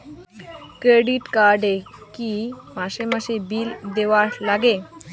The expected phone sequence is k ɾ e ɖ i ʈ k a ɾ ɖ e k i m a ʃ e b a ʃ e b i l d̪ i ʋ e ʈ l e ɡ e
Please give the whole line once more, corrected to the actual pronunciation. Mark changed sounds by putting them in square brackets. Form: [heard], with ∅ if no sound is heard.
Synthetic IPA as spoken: k ɾ e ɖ i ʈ k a ɾ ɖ e k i m a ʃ e [m] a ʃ e b i l d̪ [e] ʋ [a] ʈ l [a] ɡ e